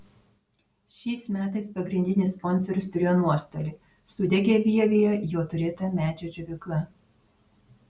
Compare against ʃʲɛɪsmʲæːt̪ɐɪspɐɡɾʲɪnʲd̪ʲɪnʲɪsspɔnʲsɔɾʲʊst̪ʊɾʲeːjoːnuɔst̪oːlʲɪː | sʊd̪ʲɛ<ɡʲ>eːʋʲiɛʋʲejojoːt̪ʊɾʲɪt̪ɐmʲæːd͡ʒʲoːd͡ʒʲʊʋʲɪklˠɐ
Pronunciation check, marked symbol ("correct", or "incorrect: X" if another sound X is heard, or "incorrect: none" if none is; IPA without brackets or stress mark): correct